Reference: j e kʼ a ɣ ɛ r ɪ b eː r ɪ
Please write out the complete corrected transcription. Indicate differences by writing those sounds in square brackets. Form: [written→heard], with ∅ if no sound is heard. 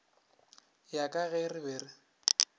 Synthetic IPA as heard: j [e→a] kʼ a ɣ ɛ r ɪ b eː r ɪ